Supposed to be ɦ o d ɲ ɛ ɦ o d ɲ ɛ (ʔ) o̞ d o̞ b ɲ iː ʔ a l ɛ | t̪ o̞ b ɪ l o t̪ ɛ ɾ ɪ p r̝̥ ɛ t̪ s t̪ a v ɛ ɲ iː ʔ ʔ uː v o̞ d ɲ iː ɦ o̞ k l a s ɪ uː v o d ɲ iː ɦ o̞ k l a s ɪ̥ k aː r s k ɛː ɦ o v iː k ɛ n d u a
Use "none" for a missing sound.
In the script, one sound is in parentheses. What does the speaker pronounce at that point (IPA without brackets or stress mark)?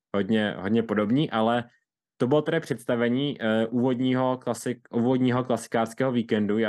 p